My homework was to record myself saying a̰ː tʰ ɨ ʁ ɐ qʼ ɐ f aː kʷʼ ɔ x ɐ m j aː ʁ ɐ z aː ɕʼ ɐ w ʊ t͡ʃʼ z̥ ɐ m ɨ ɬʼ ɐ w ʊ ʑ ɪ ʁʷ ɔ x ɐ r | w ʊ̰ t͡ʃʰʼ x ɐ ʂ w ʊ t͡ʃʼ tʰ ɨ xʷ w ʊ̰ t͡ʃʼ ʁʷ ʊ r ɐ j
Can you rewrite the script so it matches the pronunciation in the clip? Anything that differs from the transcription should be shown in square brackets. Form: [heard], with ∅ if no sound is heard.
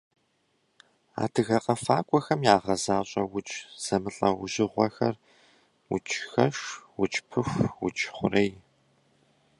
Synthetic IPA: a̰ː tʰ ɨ [ɣ] ɐ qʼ ɐ f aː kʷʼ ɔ x ɐ m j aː ʁ ɐ z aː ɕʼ ɐ w ʊ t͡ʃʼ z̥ ɐ m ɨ ɬʼ ɐ w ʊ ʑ ɪ ʁʷ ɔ x ɐ r | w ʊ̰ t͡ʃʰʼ x ɐ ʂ w ʊ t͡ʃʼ [pʰ] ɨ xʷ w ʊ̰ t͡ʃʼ [χʷ] ʊ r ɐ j